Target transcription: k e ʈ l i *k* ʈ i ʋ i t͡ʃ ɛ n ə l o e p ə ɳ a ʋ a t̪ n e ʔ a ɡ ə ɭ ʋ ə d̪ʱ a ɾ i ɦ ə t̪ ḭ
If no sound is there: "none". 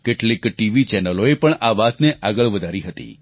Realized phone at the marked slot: k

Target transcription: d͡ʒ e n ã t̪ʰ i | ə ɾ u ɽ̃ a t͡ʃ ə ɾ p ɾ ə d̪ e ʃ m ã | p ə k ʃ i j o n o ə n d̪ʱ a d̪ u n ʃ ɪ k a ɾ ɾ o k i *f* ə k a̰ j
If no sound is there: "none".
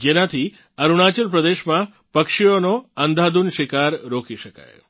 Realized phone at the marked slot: ʃ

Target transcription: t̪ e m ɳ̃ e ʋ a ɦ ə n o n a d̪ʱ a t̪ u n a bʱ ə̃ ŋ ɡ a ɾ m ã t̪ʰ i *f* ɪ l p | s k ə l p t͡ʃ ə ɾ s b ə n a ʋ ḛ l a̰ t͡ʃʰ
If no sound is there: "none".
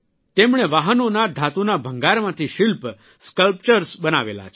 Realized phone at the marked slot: ʃ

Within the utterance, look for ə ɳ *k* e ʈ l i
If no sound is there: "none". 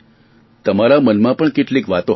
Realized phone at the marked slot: k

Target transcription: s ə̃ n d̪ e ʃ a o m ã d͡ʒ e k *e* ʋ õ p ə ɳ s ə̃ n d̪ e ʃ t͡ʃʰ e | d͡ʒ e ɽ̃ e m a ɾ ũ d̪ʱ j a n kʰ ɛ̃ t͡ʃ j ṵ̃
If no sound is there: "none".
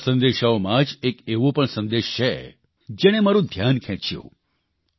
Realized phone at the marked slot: e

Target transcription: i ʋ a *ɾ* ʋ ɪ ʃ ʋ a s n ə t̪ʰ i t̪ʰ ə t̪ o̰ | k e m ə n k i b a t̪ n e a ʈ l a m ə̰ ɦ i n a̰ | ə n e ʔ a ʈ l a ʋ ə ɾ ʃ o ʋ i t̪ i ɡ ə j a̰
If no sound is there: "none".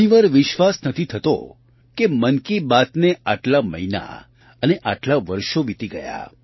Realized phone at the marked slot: ɾ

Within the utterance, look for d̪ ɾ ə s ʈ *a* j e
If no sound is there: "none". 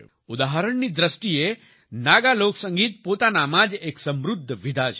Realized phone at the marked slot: i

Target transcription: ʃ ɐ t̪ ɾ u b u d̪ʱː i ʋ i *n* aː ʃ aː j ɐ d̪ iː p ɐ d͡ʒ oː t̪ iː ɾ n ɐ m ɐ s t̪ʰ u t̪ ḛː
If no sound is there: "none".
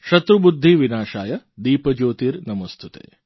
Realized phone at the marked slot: n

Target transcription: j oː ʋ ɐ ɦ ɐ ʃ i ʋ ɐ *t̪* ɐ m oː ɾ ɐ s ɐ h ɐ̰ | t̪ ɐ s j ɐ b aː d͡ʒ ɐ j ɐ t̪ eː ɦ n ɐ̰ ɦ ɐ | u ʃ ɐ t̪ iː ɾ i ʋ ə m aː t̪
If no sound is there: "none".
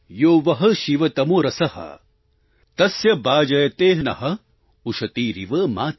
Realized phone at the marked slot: t̪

